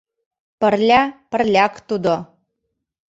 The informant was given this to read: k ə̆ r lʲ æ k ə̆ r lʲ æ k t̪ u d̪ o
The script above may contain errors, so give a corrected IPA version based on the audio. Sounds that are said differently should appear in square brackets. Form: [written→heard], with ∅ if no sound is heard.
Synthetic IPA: [k→p] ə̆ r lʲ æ [k→p] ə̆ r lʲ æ k t̪ u d̪ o